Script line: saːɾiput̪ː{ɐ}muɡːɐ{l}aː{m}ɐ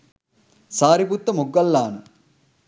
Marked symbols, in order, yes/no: yes, no, no

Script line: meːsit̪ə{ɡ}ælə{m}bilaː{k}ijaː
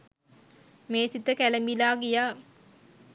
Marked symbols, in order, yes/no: no, yes, no

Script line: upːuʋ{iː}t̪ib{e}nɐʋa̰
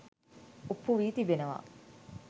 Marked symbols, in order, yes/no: yes, yes

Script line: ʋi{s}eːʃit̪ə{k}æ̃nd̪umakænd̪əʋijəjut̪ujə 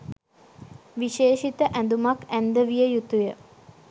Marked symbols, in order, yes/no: no, no

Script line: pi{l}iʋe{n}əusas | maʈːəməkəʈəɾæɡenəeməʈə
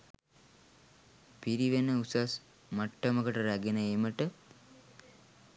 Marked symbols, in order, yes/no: no, yes

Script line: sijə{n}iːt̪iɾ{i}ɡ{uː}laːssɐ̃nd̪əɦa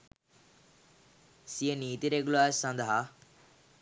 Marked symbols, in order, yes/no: yes, no, no

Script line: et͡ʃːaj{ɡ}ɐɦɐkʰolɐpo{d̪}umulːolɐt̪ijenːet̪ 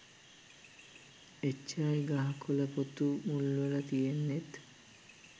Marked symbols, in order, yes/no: yes, no

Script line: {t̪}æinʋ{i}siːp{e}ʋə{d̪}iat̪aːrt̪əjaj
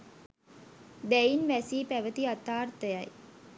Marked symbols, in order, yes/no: no, no, no, no

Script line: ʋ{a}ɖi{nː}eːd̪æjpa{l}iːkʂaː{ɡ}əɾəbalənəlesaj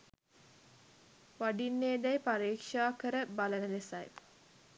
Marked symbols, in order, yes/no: yes, yes, no, no

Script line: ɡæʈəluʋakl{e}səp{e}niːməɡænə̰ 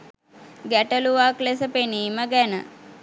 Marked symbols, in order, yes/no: yes, yes

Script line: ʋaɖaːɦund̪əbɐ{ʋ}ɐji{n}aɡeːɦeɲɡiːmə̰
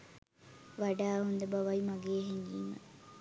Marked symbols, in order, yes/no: yes, no

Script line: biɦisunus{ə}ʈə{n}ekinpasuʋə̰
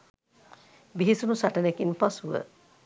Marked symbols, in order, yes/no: no, yes

